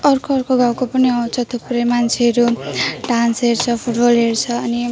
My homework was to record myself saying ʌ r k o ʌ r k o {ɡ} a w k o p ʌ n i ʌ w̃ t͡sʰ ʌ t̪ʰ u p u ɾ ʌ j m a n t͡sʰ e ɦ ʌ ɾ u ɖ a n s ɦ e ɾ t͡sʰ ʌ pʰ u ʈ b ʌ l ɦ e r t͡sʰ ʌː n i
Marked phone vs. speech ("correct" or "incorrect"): correct